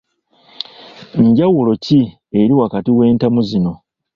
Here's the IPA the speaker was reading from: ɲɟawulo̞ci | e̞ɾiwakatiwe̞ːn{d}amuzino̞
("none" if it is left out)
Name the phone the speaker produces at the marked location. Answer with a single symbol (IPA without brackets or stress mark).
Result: t